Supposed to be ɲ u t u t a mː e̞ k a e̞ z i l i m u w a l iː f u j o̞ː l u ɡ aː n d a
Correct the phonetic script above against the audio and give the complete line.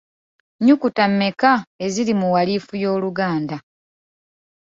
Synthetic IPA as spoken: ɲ u k u t a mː e̞ k a e̞ z i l i m u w a l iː f u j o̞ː l u ɡ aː n d a